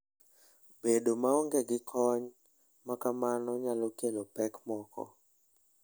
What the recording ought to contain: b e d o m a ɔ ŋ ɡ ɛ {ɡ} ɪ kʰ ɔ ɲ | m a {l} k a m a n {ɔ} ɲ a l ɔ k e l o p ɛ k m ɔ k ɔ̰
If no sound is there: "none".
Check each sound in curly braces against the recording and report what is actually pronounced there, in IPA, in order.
ɡ, none, ɔ

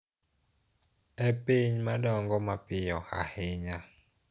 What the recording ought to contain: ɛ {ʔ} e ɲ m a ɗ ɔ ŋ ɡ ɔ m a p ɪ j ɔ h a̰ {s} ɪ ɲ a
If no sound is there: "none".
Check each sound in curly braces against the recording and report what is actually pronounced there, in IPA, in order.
p, h

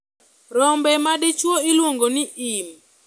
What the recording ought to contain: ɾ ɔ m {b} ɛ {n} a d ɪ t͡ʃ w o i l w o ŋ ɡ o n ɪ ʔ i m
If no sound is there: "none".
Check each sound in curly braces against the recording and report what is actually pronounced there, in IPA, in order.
b, m

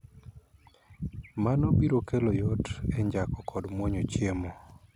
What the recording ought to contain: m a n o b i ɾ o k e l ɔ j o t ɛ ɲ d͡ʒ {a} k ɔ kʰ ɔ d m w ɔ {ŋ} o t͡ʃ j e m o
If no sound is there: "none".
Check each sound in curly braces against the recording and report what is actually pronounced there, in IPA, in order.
a, ɲ

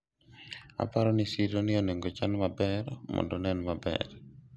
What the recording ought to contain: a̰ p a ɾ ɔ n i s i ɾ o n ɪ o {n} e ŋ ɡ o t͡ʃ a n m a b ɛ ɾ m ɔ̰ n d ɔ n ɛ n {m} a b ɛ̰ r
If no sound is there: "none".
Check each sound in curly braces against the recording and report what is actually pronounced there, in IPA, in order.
n, m

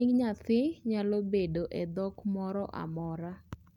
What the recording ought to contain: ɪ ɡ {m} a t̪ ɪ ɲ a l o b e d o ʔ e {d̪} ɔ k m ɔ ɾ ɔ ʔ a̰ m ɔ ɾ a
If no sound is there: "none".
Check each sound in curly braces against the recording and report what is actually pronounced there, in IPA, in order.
ɲ, d̪

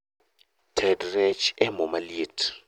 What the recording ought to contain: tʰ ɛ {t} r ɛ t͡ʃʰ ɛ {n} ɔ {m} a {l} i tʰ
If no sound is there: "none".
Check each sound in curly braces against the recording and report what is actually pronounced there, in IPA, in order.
d, m, m, l

